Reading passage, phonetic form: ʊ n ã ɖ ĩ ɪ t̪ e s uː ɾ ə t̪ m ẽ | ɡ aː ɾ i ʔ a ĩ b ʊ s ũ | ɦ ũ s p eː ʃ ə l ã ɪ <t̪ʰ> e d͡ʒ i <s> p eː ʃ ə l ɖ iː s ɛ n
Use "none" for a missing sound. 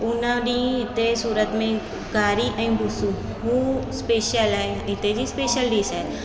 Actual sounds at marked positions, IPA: t̪, s

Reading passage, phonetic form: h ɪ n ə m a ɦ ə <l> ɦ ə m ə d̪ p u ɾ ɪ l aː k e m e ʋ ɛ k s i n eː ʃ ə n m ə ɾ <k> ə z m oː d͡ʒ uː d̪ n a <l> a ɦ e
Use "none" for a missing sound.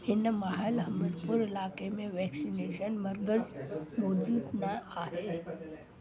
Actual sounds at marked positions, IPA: l, ɡ, none

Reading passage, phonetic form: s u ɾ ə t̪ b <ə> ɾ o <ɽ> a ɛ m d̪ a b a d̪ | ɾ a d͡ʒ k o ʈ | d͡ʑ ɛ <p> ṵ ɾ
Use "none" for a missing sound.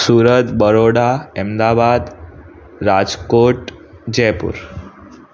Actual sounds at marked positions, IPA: ə, ɽ, p

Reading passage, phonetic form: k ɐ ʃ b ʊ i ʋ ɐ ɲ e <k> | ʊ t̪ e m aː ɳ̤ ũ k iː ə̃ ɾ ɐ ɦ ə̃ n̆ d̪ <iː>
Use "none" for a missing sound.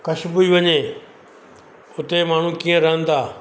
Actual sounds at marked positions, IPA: none, aː

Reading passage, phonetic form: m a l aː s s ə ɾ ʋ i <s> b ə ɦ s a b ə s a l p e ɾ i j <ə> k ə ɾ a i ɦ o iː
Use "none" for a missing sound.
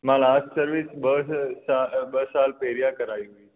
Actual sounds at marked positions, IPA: s, a

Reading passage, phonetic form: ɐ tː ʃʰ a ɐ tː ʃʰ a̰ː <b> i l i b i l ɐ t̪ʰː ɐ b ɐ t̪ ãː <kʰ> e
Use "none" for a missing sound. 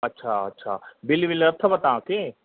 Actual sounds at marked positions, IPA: b, k

